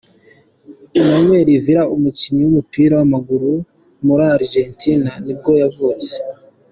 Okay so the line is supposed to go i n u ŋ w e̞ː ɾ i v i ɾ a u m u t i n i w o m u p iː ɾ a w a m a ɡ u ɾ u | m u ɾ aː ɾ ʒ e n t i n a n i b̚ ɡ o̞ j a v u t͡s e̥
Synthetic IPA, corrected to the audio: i n o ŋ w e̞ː ɾ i v i ɾ a u m u c i ɲ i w u m u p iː ɾ a w a m a ɡ u ɾ u | m u ɾ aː ɾ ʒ e n t i n a n i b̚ ɡ o̞ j a v u t͡s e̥